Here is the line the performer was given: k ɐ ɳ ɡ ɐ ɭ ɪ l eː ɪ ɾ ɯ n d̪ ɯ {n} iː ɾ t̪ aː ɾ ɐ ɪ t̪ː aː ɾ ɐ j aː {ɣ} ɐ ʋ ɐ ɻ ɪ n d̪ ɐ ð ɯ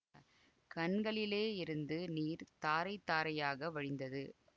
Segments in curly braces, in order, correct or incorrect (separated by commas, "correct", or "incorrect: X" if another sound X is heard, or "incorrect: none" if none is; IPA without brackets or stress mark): correct, correct